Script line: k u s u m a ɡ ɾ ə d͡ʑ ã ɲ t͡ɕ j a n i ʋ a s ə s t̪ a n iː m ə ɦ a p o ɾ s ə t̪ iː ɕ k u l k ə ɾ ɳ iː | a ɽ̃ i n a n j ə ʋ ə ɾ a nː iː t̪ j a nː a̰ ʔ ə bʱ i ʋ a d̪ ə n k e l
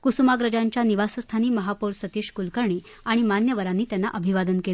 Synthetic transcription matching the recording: k u s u m a ɡ ɾ ə d͡ʑ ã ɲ t͡ɕ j a n i ʋ a s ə s t̪ʰ a n iː m ə ɦ a p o ɾ s ə t̪ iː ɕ k u l k ə ɾ ɳ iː | a ɽ̃ i m a n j ə ʋ ə ɾ a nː iː t̪ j a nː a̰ ʔ ə bʱ i ʋ a d̪ ə n k e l

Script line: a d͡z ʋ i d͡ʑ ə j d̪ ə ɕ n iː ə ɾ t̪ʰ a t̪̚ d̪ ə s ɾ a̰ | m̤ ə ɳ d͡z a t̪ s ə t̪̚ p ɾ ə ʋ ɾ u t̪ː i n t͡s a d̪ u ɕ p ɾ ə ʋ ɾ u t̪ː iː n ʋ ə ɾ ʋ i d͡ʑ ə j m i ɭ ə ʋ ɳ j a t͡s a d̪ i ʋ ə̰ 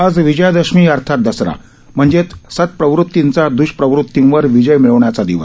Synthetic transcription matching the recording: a d͡z ʋ i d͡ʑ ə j d̪ ə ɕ m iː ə ɾ t̪ʰ a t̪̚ d̪ ə s ɾ a̰ | m̤ ə ɳ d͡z e t̪ s ə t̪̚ p ɾ ə ʋ ɾ u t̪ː i n t͡s a d̪ u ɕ p ɾ ə ʋ ɾ u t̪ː i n ʋ ə ɾ ʋ i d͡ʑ ə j m i ɭ ə ʋ ɳ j a t͡s a d̪ i ʋ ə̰

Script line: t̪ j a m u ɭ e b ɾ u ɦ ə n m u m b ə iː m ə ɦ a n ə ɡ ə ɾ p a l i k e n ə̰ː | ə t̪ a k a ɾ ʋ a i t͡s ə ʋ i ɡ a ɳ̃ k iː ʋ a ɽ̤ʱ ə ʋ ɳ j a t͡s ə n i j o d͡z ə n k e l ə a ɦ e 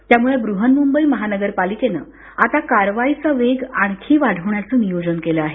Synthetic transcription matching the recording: t̪ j a m u ɭ e b ɾ u ɦ ə n m u m b ə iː m ə ɦ a n ə ɡ ə ɾ p a l i k e n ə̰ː | a t̪ a k a ɾ ʋ a i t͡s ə ʋ e ɡ a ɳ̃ kʰ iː ʋ a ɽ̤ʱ ə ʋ ɳ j a t͡s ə n i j o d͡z ə n k e l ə a ɦ e

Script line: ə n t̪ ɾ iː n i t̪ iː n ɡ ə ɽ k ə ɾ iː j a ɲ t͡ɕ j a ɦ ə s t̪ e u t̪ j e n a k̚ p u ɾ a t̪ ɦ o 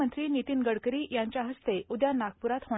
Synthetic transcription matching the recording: ə n t̪ ɾ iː n i t̪ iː n ɡ ə ɽ k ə ɾ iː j a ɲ t͡ɕ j a ɦ ə s t̪ e u d̪ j a n a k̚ p u ɾ a t̪ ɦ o

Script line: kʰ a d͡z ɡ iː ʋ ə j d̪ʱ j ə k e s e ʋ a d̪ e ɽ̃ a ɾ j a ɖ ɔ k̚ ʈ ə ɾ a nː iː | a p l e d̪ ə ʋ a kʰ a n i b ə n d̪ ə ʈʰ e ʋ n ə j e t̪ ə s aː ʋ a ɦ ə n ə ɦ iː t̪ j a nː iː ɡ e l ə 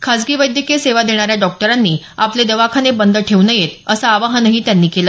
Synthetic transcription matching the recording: kʰ a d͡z ɡ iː ʋ ə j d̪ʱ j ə k e s e ʋ a d̪ e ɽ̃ a ɾ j a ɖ ɔ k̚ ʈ ə ɾ a nː iː | a p l e d̪ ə ʋ a kʰ a n e b ə n d̪ ə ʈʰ e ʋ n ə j e t̪ ə s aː ʋ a ɦ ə n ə ɦ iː t̪ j a nː iː k e l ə

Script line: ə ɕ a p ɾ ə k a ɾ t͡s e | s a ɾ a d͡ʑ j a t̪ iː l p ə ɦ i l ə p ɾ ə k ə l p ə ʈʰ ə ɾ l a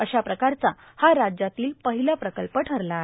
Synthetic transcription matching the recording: ə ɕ a p ɾ ə k a ɾ t͡s a | h a ɾ a d͡ʑ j a t̪ iː l p ə ɦ i l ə p ɾ ə k ə l p ə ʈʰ ə ɾ l a

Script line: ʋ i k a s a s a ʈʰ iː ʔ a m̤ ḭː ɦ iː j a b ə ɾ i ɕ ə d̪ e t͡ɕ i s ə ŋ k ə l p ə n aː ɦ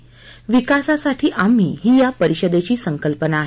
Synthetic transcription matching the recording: ʋ i k a s a s a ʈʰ iː ʔ a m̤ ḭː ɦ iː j a p ə ɾ i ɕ ə d̪ e t͡ɕ iː s ə ŋ k ə l p ə n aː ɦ

